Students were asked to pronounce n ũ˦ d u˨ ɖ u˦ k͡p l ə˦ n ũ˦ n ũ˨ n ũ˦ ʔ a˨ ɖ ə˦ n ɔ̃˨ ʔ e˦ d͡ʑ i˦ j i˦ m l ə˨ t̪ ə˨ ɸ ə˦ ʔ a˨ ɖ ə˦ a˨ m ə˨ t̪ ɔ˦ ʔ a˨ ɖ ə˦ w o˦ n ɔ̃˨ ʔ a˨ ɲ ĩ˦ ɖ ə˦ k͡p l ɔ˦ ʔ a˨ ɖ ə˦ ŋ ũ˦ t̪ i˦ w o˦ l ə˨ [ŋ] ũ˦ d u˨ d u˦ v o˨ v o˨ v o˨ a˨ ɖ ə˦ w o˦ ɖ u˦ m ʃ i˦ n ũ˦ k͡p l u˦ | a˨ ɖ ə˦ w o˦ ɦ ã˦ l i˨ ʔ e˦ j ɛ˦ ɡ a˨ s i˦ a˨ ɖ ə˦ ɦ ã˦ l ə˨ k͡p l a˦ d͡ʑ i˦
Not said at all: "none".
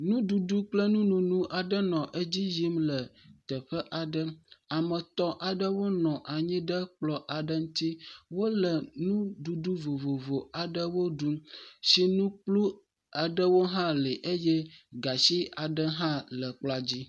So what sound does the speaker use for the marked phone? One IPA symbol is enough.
n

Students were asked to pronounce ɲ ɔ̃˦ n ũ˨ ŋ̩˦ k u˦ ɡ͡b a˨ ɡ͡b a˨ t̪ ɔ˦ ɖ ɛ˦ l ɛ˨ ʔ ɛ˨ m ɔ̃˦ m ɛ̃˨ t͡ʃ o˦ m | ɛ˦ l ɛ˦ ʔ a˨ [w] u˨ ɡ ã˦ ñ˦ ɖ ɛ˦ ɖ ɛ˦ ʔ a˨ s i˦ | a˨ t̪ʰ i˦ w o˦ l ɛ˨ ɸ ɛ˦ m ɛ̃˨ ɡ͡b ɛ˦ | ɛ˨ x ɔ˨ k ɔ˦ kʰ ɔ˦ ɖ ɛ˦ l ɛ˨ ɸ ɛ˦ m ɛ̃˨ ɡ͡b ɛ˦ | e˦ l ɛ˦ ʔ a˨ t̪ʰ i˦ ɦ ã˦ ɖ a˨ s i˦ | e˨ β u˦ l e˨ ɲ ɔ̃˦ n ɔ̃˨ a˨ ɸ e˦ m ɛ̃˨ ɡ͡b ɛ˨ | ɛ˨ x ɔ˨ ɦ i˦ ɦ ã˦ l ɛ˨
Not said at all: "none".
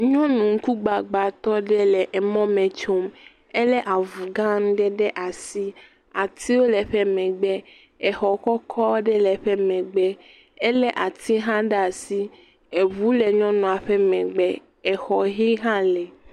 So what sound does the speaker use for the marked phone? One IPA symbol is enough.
v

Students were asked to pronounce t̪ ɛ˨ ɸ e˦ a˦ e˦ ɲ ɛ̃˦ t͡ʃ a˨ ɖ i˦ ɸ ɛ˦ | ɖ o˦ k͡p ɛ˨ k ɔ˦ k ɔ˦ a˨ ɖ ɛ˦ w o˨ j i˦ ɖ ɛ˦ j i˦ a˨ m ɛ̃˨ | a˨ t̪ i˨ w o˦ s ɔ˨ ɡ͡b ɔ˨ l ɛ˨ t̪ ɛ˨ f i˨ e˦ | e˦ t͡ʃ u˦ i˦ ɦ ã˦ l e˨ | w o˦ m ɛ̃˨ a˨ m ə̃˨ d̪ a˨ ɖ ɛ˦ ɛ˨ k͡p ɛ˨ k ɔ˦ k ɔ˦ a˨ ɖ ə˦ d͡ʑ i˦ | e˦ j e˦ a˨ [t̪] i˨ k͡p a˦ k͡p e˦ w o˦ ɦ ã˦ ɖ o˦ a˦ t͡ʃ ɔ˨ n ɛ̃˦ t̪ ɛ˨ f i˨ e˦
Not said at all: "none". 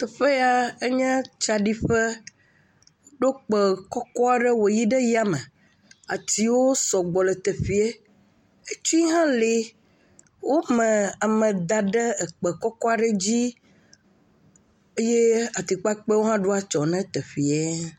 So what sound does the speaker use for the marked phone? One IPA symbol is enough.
t̪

